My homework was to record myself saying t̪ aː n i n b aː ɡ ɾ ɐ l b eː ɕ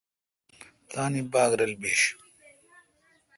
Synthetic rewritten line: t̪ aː n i b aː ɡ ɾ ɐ l b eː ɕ